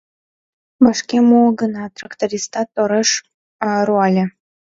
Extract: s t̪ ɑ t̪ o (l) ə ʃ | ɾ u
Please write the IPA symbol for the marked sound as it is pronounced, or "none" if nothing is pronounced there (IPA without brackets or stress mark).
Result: ɾ